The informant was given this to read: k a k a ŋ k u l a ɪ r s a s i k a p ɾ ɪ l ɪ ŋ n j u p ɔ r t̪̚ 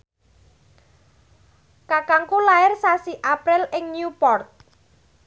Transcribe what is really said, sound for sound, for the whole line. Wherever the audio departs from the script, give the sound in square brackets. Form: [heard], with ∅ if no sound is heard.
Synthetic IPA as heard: k a k a ŋ k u l a ɪ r s a s i [ʔ] a p ɾ ɪ l ɪ ŋ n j u p ɔ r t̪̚